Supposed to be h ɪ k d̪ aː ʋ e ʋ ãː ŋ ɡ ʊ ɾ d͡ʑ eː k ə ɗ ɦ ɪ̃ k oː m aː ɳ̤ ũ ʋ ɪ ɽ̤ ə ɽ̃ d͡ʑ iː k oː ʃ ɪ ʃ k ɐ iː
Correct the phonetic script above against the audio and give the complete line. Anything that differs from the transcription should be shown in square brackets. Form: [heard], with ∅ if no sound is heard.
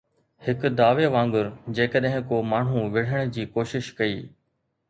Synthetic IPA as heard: h ɪ k d̪ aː ʋ e ʋ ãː ŋ ɡ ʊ ɾ d͡ʑ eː k ə ɗ ɦ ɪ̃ k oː m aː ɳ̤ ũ ʋ ɪ ɽ̤ ə ɽ̃ d͡ʑ iː k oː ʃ ɪ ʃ k ɐ iː